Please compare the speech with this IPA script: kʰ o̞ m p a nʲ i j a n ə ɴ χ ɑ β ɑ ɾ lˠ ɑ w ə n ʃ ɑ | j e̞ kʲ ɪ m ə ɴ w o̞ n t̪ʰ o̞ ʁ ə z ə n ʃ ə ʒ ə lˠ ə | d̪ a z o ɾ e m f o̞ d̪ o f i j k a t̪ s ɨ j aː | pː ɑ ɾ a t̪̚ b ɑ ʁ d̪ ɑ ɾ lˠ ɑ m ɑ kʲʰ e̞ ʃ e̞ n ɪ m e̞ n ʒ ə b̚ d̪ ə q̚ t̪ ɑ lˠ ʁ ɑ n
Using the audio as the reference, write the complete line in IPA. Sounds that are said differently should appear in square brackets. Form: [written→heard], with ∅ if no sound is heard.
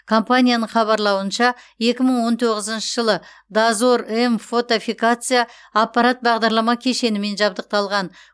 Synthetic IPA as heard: kʰ o̞ m p a nʲ i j a n ə ɴ χ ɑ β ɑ ɾ lˠ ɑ w ə n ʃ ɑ | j e̞ kʲ ɪ m ə ɴ w o̞ n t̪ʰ o̞ ʁ ə z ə n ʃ ə ʒ ə lˠ ə | d̪ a z o ɾ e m f o̞ [d̪→t̪] o f i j k a t̪ s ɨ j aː | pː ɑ ɾ a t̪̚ b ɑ ʁ d̪ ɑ ɾ lˠ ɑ m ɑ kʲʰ e̞ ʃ e̞ n ɪ m e̞ n ʒ [ə→ɑ] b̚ d̪ ə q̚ t̪ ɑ lˠ ʁ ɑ n